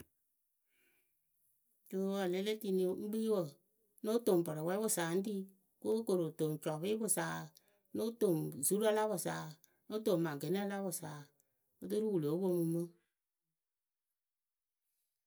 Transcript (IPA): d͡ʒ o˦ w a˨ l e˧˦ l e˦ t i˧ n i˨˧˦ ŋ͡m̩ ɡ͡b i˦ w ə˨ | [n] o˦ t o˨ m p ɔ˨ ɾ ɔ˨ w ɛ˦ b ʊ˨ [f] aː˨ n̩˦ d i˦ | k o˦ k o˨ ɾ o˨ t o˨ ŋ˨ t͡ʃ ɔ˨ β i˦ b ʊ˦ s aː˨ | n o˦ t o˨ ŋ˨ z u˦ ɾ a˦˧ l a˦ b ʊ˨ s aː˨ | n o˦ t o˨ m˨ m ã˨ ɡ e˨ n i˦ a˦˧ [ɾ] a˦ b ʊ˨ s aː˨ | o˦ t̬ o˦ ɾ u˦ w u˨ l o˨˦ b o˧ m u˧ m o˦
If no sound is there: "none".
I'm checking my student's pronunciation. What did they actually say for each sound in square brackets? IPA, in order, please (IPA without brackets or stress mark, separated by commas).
n, s, l